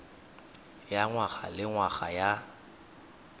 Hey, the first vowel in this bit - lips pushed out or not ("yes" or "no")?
no